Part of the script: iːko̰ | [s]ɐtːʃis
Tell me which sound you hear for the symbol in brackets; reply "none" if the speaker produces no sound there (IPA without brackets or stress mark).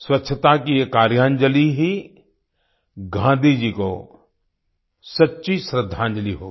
s